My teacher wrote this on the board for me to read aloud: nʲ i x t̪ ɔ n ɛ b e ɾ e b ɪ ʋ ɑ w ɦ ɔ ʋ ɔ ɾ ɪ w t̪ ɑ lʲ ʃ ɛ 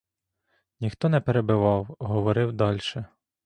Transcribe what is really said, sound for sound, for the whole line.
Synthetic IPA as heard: nʲ i x t̪ ɔ n ɛ p e ɾ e b ɪ ʋ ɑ w ɦ ɔ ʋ ɔ ɾ ɪ w d̪ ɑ lʲ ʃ ɛ

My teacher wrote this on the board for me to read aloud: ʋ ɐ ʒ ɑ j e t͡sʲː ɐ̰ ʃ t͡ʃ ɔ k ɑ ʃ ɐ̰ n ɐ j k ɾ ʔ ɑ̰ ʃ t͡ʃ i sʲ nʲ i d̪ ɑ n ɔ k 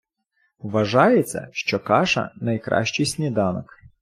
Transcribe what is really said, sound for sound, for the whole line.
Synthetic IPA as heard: ʋ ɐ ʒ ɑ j e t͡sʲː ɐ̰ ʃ t͡ʃ ɔ k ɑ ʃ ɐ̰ n ɐ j k ɾ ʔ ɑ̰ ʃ t͡ʃ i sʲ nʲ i d̪ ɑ n ɔ k

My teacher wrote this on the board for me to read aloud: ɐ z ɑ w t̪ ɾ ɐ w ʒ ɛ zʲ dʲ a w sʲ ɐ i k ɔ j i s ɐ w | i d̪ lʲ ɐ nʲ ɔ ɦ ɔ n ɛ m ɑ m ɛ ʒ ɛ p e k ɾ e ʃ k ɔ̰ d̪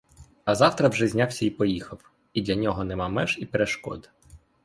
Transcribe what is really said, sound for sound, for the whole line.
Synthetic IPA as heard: ɐ z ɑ w t̪ ɾ ɐ w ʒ ɛ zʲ nʲ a w sʲ ɐ i p ɔ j i x ɐ w | i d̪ lʲ ɐ nʲ ɔ ɦ ɔ n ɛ m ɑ m ɛ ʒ i p e ɾ e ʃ k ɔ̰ d̪

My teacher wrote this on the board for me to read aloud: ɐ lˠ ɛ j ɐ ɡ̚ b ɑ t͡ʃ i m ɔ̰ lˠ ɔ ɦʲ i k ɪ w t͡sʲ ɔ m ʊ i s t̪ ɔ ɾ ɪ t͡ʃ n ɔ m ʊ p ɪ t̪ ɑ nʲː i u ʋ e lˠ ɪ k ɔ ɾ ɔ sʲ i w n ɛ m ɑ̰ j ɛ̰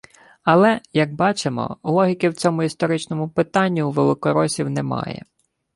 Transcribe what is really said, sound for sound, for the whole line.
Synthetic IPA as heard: ɐ lˠ ɛ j ɐ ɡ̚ b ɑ t͡ʃ e m ɔ̰ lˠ ɔ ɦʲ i k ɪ w t͡sʲ ɔ m ʊ i s t̪ ɔ ɾ ɪ t͡ʃ n ɔ m ʊ p ɪ t̪ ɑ nʲː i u ʋ e lˠ ɪ k ɔ ɾ ɔ sʲ i w n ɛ m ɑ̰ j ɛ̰

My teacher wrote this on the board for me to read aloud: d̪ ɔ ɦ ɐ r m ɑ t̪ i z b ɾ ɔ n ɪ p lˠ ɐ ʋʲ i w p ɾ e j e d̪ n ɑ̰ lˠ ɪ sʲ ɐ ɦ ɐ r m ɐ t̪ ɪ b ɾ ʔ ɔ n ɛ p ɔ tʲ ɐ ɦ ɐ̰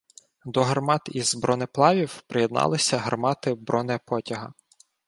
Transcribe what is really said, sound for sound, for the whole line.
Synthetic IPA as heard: d̪ ɔ ɦ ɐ r m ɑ t̪ i z b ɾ ɔ n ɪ p lˠ ɑ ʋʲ i w p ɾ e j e d̪ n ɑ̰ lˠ ɪ sʲ ɐ ɦ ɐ r m ɑ t̪ ɪ b ɾ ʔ ɔ n ɛ p ɔ tʲ ɐ ɦ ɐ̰

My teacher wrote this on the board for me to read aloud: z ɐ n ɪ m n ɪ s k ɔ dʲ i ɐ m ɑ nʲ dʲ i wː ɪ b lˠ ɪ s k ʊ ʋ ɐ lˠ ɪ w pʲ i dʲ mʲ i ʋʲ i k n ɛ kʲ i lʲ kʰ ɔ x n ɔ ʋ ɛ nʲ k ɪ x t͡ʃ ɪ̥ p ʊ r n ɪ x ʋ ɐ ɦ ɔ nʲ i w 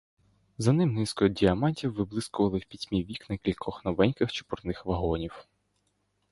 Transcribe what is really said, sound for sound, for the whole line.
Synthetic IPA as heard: z ɐ n ɪ m n ɪ s k ɔ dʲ i ɐ m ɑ nʲ tʲ i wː ɪ b lˠ ɪ s k ʊ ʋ ɐ lˠ ɪ w pʲ i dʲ mʲ i ʋʲ i k n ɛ kʲ i lʲ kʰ ɔ x n ɔ ʋ ɛ nʲ k ɪ x t͡ʃ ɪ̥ p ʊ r n ɪ x ʋ ɐ ɦ ɔ nʲ i w

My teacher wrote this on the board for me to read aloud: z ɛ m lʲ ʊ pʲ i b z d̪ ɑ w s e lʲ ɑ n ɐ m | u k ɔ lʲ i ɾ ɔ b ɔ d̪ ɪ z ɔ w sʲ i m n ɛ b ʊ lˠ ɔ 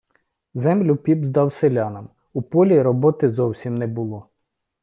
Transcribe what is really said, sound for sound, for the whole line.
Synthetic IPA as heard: z ɛ m lʲ ʊ pʲ i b z d̪ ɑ w s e lʲ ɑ n ɐ m | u p ɔ lʲ i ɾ ɔ b ɔ t̪ ɪ z ɔ w sʲ i m n ɛ b ʊ lˠ ɔ

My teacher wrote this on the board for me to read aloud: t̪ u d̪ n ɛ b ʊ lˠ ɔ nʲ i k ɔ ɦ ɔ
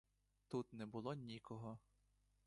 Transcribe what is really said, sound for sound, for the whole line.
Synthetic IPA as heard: t̪ u t̪ n ɛ b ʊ lˠ ɔ nʲ i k ɔ ɦ ɔ

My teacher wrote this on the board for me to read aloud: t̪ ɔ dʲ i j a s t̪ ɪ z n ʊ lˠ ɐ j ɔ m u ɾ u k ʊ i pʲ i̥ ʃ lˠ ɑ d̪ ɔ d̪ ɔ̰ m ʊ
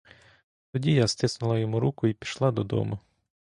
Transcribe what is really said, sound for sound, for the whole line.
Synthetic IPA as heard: t̪ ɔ dʲ i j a s t̪ ɪ s n ʊ lˠ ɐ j ɔ m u ɾ u k ʊ i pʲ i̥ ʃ lˠ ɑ d̪ ɔ d̪ ɔ̰ m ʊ

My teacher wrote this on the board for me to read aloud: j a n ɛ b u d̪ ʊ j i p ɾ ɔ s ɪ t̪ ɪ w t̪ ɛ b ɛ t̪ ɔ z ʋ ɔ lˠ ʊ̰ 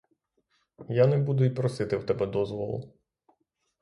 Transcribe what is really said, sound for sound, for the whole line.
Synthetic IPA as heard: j a n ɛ b u d̪ ʊ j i p ɾ ɔ s ɪ t̪ ɪ w t̪ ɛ b ɛ d̪ ɔ z ʋ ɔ lˠ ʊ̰

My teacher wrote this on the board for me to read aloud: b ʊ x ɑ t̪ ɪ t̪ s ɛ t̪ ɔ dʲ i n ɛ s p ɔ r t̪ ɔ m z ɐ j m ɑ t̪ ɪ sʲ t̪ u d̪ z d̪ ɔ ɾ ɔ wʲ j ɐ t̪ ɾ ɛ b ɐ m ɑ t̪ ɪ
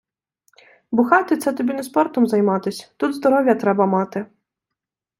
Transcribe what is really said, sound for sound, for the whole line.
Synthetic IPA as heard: b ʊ x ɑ t̪ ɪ t̪ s ɛ t̪ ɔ bʲ i n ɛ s p ɔ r t̪ ɔ m z ɐ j m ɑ t̪ ɪ sʲ t̪ u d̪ z d̪ ɔ ɾ ɔ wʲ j ɐ t̪ ɾ ɛ b ɐ m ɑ t̪ ɪ

